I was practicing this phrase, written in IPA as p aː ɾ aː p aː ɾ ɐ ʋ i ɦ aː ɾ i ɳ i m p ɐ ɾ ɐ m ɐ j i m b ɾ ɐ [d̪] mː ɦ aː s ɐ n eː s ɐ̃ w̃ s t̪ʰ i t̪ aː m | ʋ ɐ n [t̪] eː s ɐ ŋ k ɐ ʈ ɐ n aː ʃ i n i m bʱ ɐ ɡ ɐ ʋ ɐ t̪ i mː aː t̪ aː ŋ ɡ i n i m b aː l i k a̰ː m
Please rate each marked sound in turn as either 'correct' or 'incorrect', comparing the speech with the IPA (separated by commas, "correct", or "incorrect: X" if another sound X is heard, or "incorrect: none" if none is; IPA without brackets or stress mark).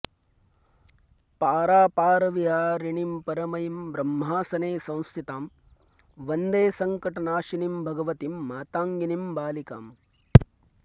incorrect: none, incorrect: d̪